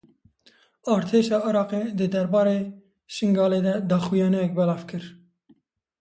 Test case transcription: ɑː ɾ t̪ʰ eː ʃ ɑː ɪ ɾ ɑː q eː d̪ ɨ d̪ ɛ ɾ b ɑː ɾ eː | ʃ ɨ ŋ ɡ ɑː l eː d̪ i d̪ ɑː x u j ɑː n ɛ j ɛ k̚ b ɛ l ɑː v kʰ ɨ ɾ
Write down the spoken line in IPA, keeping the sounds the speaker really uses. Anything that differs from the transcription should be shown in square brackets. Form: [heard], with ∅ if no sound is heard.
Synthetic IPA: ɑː ɾ t̪ʰ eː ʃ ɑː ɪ ɾ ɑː q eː d̪ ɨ d̪ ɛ ɾ b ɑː ɾ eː | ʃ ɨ ŋ ɡ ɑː l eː d̪ [ɛ] d̪ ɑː x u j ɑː n ɛ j ɛ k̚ b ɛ l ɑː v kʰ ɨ ɾ